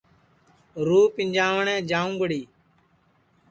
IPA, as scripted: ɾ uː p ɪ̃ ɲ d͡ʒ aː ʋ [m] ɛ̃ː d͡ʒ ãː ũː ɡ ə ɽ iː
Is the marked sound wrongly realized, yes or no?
yes